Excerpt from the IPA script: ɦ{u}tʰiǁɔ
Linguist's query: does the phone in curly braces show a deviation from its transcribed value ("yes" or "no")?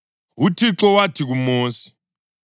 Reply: no